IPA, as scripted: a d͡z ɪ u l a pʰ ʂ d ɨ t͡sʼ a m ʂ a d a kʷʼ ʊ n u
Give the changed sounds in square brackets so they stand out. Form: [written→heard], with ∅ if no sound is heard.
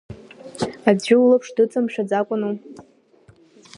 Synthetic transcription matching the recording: a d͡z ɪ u l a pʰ ʂ d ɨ t͡sʼ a m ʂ a [d→d͡z] a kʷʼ ʊ n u